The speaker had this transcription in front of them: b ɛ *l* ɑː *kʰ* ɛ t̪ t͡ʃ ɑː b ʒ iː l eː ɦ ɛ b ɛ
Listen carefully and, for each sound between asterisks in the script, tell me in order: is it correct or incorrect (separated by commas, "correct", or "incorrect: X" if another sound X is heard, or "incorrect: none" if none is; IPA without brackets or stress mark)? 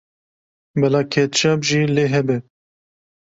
correct, correct